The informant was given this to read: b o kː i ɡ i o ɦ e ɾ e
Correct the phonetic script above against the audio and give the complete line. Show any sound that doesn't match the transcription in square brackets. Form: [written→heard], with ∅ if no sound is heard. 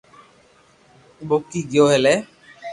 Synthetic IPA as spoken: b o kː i ɡ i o ɦ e [ɾ→l] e